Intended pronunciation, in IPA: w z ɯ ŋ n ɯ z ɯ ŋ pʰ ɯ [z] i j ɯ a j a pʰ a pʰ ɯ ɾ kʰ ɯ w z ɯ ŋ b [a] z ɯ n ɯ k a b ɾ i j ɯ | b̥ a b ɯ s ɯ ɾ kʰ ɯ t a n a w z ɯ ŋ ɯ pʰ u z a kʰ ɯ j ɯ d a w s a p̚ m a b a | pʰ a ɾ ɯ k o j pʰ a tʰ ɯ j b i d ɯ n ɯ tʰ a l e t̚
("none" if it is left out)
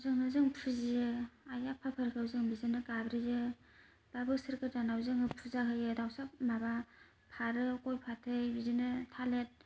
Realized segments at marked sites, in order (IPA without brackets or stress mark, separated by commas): z, i